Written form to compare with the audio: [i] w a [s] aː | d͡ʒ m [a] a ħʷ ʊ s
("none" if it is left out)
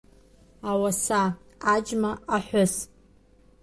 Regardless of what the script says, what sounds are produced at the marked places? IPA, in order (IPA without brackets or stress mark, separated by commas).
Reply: a, s, a